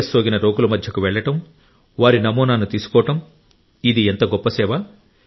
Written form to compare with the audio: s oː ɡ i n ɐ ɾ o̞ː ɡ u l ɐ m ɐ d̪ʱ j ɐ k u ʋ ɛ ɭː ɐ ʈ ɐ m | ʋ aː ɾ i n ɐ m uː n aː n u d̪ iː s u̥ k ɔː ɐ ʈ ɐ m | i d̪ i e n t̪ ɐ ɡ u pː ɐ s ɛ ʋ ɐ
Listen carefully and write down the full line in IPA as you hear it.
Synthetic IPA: s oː ɡ i n ɐ ɾ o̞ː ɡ u l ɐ m ɐ d̪ʱ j ɐ k u ʋ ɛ ɭː ɐ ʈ ɐ m | ʋ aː ɾ i n ɐ m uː n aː n u t̪ iː s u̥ k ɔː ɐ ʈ ɐ m | i d̪ i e n t̪ ɐ ɡ ɔ pː ɐ s ɛː ʋ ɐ